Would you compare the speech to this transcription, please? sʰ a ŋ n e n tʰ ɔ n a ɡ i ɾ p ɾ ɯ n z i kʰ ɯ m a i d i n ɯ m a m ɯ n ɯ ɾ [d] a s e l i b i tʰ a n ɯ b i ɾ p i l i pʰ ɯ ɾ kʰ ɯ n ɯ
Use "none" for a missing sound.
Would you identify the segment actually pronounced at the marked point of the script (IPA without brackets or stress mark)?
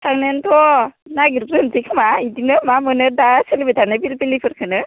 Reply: d